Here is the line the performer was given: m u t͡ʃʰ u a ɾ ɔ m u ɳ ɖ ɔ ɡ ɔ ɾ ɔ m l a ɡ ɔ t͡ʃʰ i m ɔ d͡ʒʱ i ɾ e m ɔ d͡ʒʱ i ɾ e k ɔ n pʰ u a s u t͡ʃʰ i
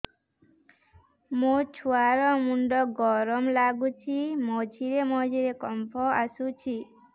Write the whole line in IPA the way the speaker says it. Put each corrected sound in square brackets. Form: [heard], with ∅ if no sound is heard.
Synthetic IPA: m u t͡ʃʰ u a ɾ ɔ m u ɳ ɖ ɔ ɡ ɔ ɾ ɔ m l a ɡ [u] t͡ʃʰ i m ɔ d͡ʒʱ i ɾ e m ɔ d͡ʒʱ i ɾ e k ɔ [m] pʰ [ɔ] a s u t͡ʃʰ i